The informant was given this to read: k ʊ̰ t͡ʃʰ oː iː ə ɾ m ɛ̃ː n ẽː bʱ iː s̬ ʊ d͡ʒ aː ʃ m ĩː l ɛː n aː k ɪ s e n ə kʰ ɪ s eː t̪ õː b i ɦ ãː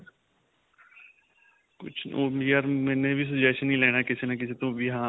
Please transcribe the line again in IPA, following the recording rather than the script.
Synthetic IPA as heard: k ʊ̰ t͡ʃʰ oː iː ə ɾ m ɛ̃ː n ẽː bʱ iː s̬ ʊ d͡ʒ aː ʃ n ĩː l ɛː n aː k ɪ s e n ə k ɪ s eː t̪ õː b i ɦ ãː